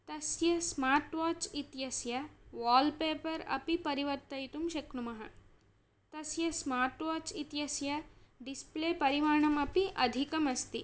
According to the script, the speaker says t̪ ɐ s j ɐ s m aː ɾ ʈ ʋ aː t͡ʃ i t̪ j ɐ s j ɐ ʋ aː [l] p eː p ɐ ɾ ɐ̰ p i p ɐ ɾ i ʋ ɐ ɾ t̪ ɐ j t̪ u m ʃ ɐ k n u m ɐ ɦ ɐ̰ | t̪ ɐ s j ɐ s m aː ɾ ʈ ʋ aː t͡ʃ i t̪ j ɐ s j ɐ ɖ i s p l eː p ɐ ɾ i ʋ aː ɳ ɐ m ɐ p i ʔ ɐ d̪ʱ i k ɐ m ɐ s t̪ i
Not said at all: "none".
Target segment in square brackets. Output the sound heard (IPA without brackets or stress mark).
l